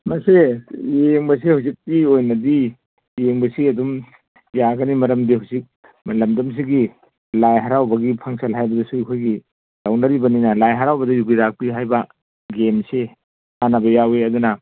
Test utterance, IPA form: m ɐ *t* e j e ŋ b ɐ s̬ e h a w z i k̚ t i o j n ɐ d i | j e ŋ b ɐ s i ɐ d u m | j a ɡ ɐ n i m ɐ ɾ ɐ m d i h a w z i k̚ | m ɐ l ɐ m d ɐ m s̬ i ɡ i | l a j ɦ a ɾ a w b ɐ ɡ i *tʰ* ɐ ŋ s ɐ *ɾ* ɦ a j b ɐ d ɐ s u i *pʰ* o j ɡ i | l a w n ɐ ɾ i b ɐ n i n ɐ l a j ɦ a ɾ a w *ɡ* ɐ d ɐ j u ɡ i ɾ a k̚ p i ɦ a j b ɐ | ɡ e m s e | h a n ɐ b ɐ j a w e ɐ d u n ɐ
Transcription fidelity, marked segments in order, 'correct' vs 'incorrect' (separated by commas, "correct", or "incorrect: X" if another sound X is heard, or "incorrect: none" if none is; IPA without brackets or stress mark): incorrect: s, incorrect: pʰ, incorrect: l, incorrect: kʰ, incorrect: b